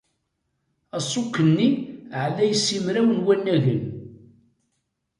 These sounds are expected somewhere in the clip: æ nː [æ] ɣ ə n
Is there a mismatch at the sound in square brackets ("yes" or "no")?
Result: no